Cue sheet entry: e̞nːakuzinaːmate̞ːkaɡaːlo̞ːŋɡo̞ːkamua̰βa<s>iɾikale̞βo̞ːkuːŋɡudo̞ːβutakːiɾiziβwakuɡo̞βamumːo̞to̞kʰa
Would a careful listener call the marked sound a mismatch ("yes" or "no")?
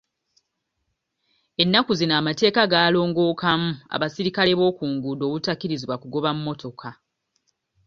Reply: no